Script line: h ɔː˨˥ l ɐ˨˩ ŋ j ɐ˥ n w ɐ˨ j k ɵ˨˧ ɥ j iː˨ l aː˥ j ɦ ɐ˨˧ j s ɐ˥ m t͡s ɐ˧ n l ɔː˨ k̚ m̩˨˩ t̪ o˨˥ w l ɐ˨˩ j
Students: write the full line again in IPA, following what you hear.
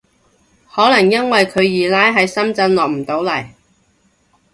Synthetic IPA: h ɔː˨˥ l ɐ˨˩ ŋ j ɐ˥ n w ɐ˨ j kʰ ɵ˨˧ ɥ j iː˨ l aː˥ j ɦ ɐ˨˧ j s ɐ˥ m t͡s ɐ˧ n l ɔː˨ k̚ m̩˨˩ t̪ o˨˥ w l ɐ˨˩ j